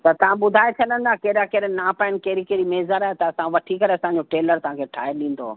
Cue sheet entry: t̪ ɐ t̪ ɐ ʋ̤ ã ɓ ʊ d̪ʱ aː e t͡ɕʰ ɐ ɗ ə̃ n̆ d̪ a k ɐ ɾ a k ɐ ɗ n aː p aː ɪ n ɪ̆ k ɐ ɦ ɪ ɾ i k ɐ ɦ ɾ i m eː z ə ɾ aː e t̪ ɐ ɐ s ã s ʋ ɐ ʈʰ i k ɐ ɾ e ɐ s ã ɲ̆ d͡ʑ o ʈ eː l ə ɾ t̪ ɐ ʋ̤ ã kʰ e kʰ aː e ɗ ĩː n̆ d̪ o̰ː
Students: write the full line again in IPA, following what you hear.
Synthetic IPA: t̪ ɐ t̪ ɐ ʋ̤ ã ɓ ʊ d̪ʱ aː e t͡ɕʰ ɐ ɗ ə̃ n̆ d̪ a k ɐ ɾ a k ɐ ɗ n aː p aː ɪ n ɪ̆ k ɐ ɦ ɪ ɾ i k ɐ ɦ ɾ i m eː z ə ɾ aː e t̪ ɐ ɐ s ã ʋ ɐ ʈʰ i k ɐ ɾ e ɐ s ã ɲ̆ d͡ʑ o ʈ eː l ə ɾ t̪ ɐ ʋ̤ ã kʰ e ʈʰ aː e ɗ ĩː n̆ d̪ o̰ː